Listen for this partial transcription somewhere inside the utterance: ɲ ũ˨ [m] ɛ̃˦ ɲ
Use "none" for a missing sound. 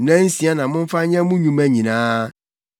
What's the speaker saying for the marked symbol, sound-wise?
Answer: m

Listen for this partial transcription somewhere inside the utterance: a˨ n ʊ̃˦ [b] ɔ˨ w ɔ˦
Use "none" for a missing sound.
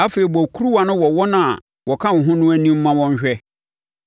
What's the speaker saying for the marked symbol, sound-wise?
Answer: w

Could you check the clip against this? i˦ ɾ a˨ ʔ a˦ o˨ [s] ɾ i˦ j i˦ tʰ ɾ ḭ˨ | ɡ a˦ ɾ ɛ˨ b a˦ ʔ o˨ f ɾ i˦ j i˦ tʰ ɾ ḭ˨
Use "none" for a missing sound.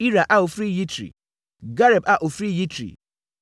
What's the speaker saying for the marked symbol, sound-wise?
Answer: f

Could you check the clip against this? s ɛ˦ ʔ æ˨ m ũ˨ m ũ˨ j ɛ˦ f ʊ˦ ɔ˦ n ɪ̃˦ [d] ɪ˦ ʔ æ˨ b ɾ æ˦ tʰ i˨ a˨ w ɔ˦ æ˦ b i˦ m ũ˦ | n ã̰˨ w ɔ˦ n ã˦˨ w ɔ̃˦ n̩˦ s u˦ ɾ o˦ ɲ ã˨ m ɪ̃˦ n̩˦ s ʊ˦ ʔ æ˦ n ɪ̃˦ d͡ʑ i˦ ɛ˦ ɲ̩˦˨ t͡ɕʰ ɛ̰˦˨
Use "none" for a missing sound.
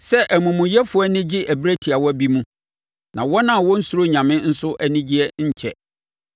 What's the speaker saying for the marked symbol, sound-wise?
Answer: d͡ʑ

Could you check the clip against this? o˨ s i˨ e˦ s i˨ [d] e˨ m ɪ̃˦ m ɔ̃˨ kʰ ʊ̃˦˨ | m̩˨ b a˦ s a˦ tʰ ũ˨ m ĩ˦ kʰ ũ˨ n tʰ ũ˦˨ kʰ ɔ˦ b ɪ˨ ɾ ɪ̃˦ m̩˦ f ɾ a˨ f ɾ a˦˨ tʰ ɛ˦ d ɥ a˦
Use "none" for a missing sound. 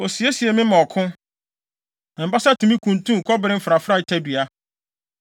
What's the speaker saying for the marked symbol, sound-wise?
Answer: none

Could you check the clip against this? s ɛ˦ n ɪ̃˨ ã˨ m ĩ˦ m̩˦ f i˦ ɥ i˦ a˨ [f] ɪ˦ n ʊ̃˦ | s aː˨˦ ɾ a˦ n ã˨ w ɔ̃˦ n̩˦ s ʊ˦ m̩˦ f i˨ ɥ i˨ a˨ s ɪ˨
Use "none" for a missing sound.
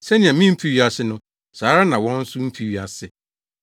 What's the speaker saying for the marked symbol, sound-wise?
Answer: s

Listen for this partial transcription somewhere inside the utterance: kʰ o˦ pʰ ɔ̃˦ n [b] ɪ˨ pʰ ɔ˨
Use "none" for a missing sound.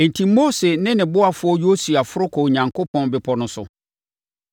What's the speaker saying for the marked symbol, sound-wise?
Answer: b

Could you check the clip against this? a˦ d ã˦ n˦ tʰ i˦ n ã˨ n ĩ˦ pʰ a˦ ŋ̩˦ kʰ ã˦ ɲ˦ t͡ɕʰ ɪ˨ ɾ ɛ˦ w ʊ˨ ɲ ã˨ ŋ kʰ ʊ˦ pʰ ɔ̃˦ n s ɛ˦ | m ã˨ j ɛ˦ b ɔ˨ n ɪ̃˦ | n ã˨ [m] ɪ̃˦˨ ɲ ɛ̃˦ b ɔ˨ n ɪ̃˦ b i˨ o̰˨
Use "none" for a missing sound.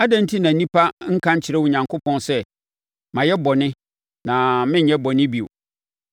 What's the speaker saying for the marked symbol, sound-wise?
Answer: m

